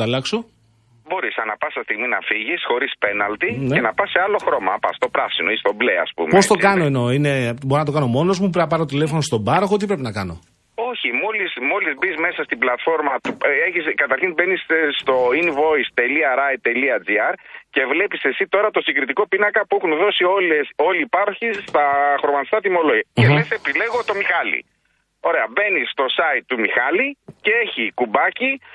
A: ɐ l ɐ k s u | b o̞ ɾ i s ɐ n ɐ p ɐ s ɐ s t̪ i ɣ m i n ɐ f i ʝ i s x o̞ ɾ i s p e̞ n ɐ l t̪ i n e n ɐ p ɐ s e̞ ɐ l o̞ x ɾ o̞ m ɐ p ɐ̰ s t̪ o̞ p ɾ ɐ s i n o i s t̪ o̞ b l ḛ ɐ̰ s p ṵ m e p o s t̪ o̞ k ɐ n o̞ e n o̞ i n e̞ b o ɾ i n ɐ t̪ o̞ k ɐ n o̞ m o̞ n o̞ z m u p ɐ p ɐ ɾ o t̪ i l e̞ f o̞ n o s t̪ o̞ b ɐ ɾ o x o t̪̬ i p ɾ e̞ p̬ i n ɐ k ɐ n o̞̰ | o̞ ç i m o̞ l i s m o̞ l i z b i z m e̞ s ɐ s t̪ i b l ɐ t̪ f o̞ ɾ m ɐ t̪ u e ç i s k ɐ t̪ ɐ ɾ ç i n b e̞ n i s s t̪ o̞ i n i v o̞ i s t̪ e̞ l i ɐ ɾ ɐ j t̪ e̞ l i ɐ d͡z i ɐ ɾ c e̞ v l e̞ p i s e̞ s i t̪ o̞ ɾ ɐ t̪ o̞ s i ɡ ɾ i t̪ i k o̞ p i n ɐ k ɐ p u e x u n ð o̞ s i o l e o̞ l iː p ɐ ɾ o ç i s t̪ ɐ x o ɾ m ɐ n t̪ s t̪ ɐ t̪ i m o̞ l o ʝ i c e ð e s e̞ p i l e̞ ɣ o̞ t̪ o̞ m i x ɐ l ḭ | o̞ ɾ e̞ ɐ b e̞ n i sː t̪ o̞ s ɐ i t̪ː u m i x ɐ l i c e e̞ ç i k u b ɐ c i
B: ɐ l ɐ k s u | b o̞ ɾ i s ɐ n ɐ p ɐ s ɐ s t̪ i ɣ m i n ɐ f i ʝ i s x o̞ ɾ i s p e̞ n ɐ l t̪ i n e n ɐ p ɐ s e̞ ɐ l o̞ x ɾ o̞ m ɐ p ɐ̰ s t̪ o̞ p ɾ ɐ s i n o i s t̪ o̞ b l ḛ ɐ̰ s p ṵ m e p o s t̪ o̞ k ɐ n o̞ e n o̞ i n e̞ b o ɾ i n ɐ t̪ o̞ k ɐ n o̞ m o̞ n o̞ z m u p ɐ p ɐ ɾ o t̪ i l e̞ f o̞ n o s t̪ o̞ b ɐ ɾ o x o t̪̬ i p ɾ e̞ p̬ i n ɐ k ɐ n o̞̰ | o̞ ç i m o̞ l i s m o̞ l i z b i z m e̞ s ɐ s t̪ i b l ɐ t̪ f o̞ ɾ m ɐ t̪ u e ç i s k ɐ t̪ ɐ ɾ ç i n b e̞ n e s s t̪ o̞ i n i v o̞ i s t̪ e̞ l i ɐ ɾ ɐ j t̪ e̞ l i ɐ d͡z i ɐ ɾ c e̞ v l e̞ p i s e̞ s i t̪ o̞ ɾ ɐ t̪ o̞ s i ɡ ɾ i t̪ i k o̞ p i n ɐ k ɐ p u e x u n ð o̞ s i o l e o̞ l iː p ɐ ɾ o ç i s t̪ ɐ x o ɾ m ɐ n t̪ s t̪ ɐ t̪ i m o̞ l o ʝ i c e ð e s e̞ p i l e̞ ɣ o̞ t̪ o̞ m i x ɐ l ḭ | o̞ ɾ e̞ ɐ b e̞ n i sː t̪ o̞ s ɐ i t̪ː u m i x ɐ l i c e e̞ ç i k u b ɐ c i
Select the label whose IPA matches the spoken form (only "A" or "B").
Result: A